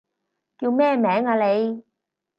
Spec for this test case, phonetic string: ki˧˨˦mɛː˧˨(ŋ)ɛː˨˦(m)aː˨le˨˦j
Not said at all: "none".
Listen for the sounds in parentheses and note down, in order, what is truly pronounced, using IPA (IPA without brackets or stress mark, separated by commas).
m, ŋ